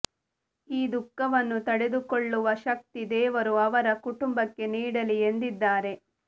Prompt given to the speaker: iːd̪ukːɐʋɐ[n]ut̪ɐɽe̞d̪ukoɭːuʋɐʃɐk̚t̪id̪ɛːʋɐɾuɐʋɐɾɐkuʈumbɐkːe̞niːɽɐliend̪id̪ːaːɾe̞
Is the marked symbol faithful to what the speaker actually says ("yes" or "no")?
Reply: no